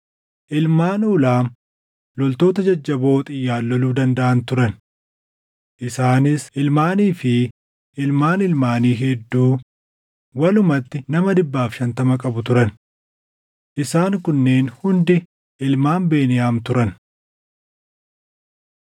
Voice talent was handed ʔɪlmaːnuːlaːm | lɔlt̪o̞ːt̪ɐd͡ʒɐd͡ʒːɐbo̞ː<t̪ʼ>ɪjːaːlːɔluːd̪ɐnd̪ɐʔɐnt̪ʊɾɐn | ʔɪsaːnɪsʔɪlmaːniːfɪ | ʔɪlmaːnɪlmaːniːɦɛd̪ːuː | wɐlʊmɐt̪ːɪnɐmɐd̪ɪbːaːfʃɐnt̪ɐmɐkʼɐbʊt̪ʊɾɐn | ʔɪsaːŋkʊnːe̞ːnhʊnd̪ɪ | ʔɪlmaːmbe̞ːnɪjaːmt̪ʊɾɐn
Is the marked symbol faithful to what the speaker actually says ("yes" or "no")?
yes